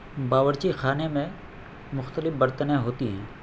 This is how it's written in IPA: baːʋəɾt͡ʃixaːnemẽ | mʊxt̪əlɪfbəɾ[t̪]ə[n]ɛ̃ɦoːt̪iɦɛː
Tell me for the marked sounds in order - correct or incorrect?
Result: correct, correct

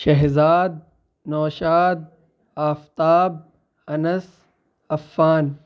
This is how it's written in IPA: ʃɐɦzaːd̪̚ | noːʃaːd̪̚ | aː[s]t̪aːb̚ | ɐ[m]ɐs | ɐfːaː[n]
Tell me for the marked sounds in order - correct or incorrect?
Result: incorrect, incorrect, correct

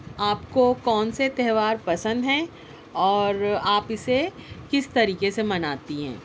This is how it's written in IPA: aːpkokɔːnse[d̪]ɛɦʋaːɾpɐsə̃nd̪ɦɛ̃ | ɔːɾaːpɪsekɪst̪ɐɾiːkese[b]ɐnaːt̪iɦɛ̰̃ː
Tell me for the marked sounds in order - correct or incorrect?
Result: incorrect, incorrect

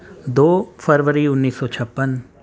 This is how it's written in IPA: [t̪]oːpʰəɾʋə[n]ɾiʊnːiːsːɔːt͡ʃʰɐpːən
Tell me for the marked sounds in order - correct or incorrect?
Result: incorrect, incorrect

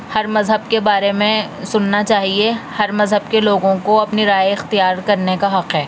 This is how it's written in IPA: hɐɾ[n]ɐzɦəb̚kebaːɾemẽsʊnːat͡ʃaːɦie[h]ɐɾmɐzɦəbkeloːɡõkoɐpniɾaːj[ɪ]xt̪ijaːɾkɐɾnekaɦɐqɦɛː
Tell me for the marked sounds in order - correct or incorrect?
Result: incorrect, correct, correct

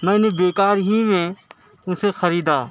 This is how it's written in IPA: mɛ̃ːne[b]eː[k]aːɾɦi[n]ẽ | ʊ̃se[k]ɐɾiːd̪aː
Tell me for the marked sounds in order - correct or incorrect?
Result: correct, correct, incorrect, incorrect

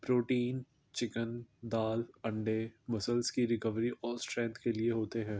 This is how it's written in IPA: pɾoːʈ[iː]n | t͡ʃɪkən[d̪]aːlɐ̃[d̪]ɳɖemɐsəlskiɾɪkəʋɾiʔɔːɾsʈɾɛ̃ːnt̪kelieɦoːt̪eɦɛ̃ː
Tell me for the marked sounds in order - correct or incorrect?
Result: correct, correct, incorrect

